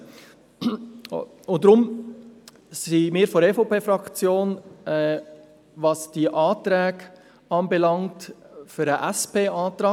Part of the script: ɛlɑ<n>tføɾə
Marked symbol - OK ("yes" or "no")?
no